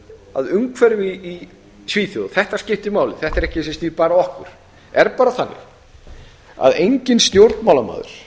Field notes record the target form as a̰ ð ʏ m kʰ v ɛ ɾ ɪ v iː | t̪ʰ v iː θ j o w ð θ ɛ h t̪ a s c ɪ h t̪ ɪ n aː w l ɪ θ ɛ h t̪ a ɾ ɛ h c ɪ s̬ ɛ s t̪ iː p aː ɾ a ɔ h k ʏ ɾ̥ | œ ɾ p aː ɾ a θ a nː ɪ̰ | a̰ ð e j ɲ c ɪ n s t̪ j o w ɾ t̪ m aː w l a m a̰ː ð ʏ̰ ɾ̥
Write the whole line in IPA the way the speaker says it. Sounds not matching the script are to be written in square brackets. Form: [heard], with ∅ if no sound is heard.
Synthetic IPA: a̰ ð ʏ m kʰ v ɛ ɾ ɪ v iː | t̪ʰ v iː θ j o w ð θ ɛ h t̪ a s c ɪ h t̪ ɪ [m] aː w l ɪ θ ɛ h t̪ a ɾ ɛ h c ɪ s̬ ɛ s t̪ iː p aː ɾ a ɔ h k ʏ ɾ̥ | [ɛ] ɾ p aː ɾ a θ a nː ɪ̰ | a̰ ð e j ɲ c ɪ n s t̪ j o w ɾ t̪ m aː w l a m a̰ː ð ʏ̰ ɾ̥